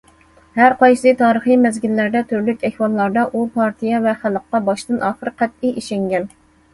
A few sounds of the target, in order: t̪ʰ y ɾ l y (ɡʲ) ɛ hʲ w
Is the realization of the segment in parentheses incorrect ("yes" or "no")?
yes